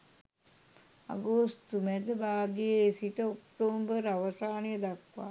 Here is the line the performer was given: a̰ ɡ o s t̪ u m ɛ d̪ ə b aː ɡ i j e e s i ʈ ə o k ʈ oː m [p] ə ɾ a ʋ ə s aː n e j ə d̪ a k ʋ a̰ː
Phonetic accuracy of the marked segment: incorrect: b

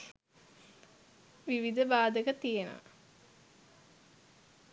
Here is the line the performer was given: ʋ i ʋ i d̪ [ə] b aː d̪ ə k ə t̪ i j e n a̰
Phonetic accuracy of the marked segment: correct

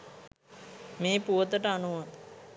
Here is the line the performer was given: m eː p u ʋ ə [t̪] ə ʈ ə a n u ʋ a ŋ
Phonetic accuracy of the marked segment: correct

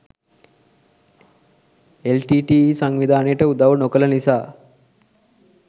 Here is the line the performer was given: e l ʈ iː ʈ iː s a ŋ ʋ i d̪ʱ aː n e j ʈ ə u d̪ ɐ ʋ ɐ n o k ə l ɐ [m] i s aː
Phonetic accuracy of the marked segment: incorrect: n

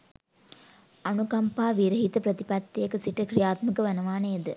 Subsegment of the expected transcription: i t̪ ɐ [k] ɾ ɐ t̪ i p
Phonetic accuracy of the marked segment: incorrect: p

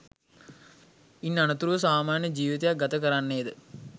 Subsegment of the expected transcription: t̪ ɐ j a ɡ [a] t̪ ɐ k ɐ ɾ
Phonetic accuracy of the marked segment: incorrect: ɐ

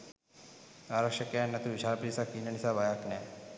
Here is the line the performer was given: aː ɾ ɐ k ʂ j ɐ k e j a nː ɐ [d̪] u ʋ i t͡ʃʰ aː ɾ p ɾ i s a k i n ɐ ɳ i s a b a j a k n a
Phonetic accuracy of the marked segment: incorrect: t̪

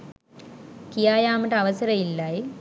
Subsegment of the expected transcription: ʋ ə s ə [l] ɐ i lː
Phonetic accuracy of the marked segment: incorrect: ɾ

